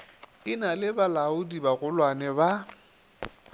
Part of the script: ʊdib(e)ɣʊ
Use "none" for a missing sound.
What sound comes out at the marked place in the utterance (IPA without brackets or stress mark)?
a